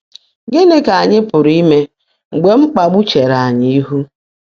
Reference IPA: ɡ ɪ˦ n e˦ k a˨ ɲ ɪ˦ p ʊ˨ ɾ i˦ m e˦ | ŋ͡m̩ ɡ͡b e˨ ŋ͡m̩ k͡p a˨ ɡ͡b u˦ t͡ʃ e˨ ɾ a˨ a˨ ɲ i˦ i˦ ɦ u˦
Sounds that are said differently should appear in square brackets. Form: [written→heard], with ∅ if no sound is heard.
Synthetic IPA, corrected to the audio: ɡ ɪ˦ n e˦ k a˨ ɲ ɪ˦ p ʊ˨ ɾ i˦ m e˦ | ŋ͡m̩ ɡ͡b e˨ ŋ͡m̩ k͡p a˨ ɡ͡b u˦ t͡ʃ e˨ ɾ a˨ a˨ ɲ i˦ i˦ ɦ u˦